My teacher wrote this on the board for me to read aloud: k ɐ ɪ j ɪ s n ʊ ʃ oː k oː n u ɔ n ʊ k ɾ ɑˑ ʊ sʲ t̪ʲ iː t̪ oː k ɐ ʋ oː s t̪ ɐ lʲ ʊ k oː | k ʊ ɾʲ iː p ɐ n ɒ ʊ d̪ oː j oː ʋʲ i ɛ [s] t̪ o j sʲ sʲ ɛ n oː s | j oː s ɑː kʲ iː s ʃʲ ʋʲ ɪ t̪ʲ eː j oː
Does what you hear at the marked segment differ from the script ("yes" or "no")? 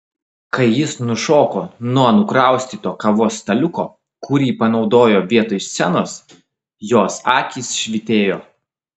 yes